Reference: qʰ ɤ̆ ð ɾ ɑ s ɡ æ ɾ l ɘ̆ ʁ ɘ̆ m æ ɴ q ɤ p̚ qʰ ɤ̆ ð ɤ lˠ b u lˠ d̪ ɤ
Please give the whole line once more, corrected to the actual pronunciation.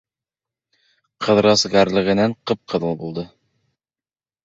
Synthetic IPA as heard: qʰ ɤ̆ ð ɾ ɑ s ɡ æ ɾ l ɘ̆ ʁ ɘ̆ n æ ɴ q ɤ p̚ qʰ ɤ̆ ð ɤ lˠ b u lˠ d̪ ɤ